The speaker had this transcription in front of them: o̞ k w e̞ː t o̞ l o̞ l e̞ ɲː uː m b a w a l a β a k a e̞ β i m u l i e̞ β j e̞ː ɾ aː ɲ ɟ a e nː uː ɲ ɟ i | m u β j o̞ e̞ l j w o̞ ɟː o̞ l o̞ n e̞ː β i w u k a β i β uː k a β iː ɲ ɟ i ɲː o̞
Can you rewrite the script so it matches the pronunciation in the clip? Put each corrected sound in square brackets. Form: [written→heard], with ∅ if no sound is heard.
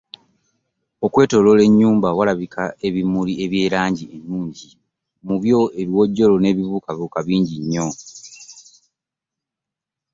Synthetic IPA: o̞ k w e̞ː t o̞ l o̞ l e̞ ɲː uː m b a w a l a β [a→i] k a e̞ β i m u l i e̞ β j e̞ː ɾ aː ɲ ɟ [a→i] e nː uː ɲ ɟ i | m u β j o̞ e̞ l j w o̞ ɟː o̞ l o̞ n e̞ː β i [w→β] u k a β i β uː k a β iː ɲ ɟ i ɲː o̞